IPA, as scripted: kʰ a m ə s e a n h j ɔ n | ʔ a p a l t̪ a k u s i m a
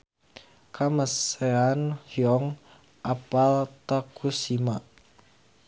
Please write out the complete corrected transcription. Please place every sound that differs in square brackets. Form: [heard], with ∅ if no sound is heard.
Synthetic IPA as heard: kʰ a m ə s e a n h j ɔ [ŋ] | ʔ a p a l t̪ a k u s i m a